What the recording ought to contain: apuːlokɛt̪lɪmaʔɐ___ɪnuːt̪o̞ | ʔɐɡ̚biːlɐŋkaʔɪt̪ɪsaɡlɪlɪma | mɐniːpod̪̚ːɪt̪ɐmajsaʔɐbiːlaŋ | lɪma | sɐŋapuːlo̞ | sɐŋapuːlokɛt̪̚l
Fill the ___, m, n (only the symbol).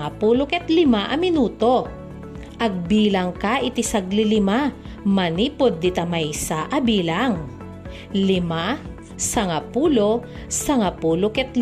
m